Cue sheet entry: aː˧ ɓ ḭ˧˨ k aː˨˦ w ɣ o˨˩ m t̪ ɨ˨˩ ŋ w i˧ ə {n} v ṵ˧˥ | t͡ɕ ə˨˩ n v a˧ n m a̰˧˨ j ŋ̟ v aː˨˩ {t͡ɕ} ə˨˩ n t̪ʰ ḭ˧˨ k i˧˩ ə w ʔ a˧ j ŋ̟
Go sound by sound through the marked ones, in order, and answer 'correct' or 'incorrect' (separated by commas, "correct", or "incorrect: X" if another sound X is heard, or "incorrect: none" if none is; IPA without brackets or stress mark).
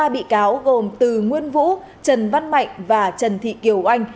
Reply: correct, correct